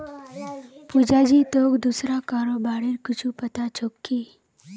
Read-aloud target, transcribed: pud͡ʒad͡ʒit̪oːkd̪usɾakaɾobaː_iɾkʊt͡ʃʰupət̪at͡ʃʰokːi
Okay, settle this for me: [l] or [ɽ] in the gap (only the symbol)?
ɽ